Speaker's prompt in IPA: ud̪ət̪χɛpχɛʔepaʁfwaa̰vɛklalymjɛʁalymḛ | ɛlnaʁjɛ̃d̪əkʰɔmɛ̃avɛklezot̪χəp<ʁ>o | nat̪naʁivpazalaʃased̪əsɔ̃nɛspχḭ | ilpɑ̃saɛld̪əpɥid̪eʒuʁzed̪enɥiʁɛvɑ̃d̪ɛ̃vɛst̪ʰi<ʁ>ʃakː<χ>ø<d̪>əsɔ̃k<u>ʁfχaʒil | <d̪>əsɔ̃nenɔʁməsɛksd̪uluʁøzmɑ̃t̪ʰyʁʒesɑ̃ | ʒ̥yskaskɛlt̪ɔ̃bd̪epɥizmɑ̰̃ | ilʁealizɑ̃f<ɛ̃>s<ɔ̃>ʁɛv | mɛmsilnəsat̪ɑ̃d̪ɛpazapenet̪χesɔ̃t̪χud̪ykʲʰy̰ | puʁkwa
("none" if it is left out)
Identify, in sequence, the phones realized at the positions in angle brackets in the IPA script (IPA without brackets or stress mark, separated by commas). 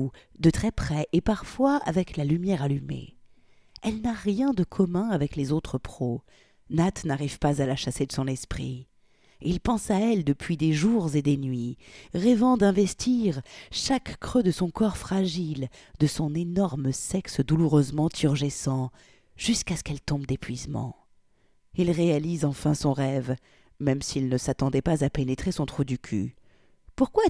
χ, ʁ, χ, d̪, ɔ, d̪, ɛ̃, ɔ̃